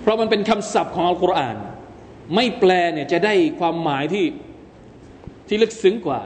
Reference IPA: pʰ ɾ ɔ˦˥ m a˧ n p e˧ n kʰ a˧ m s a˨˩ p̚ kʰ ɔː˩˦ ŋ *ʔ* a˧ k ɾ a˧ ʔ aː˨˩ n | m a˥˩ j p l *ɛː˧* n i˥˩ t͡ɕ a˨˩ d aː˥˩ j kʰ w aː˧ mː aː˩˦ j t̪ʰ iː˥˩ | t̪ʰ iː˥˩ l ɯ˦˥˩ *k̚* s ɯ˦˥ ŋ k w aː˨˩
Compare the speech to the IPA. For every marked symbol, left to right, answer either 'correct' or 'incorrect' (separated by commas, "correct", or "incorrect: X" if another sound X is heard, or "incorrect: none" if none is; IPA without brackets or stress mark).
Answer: correct, correct, correct